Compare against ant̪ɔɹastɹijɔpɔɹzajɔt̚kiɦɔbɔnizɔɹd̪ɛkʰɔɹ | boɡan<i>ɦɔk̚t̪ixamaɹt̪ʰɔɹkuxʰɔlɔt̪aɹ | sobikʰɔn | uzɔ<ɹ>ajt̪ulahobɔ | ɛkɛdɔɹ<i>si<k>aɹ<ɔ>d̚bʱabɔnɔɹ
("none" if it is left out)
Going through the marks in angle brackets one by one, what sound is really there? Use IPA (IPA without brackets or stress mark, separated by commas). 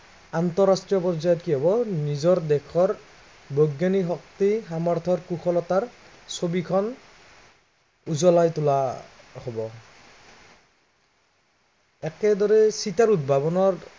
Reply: i, l, ɛ, t, u